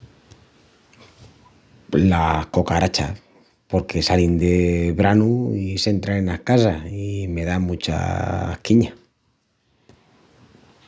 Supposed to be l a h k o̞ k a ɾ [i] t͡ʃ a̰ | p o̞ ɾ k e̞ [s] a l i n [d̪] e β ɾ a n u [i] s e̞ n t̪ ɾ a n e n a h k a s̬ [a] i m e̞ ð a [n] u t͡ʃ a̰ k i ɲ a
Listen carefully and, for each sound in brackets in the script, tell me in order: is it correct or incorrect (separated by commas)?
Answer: incorrect, correct, correct, correct, correct, incorrect